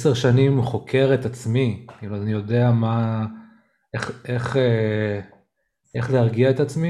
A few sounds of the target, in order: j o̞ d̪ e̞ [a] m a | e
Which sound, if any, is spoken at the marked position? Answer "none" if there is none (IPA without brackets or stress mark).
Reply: a